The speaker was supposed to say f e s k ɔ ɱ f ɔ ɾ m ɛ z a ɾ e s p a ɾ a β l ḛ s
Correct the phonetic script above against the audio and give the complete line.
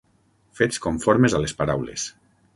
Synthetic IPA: f e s k o ɱ f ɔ ɾ m e z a l e s p a ɾ a w l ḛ s